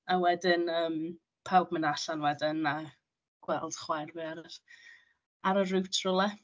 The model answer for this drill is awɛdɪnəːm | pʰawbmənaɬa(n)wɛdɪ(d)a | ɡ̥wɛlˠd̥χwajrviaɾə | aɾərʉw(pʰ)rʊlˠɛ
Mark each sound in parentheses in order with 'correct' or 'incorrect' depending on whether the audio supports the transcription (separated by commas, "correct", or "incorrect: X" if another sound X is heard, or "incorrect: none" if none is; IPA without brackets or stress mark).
correct, incorrect: n, incorrect: tʰ